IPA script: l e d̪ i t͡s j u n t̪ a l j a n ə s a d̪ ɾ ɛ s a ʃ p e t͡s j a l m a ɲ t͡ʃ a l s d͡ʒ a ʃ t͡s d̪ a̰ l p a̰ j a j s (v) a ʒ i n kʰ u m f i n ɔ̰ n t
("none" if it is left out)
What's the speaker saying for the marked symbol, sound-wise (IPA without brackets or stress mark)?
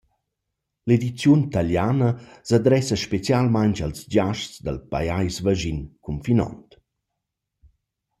v